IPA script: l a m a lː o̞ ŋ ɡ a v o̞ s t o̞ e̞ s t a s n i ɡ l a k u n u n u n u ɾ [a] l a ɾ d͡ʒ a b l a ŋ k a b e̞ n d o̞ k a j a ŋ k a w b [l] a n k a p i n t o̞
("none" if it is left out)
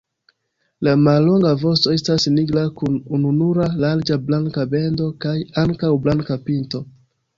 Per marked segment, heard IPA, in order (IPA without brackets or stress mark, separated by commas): a, l